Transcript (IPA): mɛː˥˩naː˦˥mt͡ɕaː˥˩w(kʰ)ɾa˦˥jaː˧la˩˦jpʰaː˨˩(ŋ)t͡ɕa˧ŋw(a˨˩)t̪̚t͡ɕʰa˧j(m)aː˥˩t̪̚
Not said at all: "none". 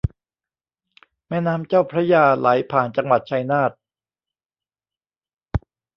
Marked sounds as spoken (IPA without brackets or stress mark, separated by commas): pʰ, n, a˨˩, n